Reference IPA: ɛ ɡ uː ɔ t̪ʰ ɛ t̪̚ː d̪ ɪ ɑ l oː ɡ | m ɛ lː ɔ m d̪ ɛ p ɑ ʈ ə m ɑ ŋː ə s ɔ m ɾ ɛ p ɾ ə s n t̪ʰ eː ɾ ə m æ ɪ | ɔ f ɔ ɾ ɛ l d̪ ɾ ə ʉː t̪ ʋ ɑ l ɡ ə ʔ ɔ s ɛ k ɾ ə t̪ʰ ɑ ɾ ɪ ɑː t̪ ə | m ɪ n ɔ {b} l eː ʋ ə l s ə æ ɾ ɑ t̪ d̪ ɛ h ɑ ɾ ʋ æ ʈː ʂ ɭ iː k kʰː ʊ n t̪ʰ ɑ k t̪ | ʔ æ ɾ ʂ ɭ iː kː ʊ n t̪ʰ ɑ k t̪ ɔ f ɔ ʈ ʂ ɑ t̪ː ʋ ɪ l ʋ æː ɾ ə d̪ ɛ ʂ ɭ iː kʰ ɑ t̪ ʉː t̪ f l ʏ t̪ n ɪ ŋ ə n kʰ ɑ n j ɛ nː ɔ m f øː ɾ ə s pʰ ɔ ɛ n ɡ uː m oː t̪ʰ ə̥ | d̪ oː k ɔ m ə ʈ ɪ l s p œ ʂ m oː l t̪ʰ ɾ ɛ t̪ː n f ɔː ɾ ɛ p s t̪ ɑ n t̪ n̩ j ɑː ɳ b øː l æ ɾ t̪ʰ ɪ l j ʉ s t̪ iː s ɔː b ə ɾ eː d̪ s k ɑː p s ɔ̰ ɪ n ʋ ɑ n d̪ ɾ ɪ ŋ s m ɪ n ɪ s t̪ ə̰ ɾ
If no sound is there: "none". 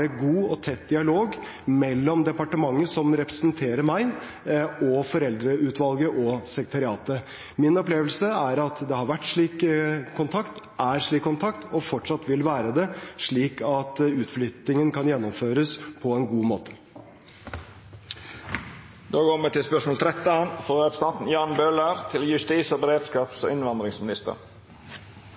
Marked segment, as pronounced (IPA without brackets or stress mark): p